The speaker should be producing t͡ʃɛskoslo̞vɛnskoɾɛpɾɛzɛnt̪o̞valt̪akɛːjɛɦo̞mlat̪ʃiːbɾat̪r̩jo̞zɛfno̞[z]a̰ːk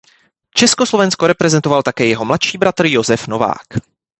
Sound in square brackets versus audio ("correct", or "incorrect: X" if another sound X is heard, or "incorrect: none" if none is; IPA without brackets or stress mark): incorrect: v